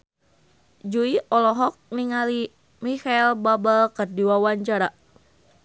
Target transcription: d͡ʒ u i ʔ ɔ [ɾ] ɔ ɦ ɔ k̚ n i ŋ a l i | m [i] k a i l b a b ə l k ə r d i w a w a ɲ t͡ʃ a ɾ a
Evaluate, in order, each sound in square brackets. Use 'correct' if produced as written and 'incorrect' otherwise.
incorrect, correct

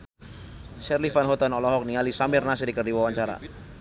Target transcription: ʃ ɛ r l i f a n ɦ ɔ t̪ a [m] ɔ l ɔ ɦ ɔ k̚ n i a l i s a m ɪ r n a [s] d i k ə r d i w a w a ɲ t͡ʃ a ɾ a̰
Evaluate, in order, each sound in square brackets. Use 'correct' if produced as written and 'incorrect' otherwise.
incorrect, correct

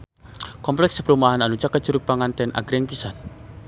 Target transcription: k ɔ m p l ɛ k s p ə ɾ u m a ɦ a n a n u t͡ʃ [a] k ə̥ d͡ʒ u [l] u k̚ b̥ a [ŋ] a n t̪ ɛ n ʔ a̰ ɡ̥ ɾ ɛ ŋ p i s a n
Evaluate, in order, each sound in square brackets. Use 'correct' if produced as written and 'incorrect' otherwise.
correct, incorrect, correct

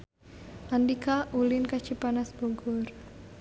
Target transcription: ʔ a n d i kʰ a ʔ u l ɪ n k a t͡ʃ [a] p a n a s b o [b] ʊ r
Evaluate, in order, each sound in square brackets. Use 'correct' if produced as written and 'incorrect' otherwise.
incorrect, incorrect

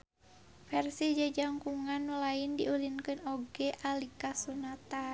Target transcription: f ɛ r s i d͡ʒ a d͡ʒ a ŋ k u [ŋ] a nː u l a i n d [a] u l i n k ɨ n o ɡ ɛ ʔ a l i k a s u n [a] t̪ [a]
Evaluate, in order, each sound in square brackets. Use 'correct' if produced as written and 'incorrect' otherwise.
correct, incorrect, correct, correct

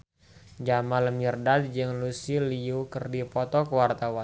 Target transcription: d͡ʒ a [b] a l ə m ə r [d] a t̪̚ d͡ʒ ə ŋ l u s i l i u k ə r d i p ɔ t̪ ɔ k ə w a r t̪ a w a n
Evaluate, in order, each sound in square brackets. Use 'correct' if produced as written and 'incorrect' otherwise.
incorrect, correct

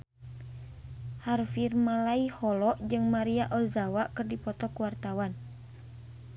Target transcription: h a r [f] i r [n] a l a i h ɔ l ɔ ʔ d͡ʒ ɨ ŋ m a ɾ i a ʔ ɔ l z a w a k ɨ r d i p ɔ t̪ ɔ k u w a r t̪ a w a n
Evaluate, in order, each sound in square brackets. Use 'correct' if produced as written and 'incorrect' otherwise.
correct, incorrect

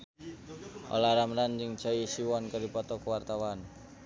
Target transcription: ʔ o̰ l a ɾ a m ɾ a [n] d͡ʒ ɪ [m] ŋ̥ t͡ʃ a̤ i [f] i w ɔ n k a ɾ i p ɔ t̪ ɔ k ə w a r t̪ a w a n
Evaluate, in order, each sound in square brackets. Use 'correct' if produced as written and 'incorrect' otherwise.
correct, incorrect, incorrect

